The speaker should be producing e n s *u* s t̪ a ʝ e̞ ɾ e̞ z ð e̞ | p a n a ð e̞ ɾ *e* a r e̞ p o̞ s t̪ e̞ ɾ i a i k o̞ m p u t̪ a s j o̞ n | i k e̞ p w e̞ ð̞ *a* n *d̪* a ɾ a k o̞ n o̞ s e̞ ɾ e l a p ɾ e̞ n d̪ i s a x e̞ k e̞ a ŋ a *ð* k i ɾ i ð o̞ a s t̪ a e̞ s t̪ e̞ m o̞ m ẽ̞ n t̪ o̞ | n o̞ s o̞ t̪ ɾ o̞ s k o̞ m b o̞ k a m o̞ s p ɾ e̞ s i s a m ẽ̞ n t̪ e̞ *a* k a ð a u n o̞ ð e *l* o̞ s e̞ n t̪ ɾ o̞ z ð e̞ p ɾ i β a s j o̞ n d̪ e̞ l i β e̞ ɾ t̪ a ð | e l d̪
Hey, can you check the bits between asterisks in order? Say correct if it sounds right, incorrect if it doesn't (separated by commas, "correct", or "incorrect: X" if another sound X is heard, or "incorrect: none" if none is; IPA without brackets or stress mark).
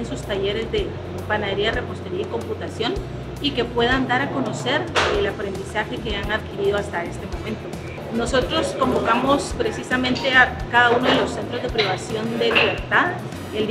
correct, incorrect: i, correct, correct, correct, correct, correct